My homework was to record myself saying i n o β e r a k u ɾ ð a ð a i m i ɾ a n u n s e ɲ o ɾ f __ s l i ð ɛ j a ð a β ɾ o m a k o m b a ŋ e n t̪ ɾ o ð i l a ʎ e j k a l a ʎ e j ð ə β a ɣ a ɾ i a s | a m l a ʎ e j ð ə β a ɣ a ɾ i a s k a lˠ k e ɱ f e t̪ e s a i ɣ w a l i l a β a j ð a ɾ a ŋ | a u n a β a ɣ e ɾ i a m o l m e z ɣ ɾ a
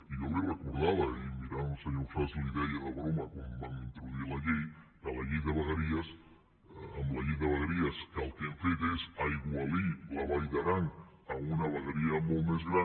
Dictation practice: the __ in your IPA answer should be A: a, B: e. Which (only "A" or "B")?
A